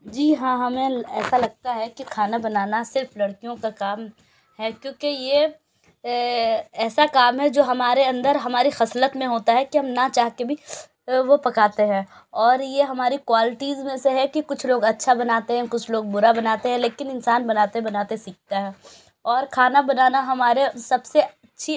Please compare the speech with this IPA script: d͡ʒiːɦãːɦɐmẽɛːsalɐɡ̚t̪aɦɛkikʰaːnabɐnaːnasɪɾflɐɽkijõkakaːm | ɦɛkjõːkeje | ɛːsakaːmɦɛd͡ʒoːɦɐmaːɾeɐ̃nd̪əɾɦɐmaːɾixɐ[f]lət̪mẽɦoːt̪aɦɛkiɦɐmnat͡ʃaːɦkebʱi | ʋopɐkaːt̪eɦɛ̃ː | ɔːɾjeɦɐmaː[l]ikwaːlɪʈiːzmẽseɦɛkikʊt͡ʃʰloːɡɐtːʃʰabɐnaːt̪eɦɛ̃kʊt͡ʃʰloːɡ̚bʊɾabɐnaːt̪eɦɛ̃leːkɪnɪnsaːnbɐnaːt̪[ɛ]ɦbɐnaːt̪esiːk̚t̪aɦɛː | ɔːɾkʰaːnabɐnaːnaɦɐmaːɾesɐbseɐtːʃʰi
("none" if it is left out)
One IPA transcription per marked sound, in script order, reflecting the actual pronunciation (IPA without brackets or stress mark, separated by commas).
s, ɾ, e